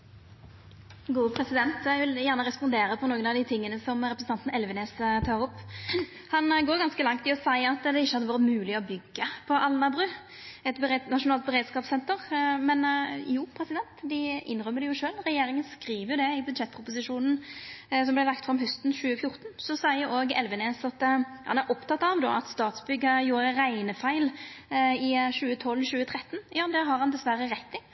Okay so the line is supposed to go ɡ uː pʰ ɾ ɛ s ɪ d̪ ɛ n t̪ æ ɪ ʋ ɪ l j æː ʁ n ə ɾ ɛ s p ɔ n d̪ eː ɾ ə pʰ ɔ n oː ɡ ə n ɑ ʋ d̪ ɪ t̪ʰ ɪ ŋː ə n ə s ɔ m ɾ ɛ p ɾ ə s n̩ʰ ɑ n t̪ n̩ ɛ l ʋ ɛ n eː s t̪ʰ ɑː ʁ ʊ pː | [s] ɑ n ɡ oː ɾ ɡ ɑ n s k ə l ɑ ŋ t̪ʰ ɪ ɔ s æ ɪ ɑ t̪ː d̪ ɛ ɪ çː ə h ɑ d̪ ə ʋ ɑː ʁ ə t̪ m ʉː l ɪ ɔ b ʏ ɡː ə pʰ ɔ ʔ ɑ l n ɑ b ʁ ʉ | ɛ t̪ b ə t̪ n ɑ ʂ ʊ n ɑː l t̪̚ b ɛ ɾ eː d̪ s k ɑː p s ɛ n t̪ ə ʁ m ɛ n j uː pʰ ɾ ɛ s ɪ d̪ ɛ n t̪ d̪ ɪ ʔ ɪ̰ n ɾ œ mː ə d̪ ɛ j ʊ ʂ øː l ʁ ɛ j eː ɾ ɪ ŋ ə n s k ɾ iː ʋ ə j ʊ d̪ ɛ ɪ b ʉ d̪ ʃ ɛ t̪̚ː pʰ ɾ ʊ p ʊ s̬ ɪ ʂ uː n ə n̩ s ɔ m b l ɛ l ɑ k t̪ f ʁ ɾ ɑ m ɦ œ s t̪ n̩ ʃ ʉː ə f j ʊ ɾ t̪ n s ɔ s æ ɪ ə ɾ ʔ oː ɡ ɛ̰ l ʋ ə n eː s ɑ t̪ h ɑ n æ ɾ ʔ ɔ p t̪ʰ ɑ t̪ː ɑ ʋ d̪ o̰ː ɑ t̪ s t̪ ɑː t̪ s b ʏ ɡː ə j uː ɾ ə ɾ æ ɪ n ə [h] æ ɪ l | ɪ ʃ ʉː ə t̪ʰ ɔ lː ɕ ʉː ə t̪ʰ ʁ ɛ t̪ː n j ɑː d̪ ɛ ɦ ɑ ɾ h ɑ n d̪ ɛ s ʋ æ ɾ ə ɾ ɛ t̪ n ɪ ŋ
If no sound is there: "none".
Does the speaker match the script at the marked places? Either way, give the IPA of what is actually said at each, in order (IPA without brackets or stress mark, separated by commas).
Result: h, f